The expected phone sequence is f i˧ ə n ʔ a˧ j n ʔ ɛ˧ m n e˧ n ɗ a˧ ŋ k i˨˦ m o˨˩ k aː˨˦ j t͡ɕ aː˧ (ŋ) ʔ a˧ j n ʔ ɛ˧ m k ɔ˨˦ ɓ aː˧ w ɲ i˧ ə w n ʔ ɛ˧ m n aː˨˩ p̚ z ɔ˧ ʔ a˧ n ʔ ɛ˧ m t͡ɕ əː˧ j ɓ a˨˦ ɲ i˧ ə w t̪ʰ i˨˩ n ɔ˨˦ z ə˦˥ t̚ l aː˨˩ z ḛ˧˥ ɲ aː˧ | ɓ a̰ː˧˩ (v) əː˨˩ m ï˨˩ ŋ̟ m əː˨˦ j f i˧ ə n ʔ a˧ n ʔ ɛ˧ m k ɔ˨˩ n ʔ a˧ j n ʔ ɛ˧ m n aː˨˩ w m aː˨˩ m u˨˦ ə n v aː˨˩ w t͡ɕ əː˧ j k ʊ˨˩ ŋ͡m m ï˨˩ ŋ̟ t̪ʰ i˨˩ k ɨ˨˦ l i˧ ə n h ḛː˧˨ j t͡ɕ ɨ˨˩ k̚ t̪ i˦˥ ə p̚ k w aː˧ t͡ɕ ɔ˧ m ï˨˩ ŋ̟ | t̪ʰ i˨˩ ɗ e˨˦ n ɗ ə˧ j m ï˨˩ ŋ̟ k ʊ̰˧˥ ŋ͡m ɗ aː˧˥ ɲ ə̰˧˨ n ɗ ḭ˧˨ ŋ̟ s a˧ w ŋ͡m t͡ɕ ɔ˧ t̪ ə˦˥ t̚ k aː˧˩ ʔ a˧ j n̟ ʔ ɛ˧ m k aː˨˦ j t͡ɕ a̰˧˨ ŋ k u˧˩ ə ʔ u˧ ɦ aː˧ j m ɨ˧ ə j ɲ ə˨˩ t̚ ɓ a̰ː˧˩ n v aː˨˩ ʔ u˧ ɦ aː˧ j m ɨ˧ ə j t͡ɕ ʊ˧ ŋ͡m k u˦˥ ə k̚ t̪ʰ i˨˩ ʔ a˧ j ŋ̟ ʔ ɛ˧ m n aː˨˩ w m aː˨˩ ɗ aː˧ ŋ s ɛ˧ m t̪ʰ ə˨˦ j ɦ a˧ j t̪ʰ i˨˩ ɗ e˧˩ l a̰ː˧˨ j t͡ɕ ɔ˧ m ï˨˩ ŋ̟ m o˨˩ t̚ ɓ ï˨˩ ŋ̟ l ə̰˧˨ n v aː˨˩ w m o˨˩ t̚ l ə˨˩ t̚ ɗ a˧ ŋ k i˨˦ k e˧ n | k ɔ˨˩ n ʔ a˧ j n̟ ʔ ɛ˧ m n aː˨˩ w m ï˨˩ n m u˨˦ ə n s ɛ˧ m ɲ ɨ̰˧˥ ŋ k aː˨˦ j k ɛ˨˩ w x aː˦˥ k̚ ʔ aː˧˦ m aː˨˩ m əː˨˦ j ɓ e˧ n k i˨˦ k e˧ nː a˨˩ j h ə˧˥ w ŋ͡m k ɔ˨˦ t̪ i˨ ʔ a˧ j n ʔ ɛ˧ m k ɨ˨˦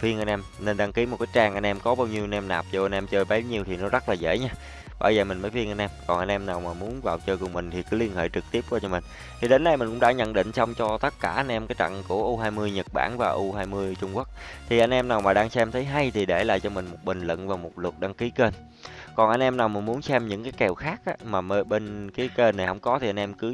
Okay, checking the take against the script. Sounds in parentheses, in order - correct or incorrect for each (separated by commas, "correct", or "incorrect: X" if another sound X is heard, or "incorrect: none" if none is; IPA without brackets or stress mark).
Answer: correct, incorrect: z